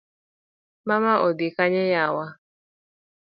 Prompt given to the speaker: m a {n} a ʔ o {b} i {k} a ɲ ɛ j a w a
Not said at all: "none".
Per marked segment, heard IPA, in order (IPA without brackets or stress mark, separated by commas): m, d, k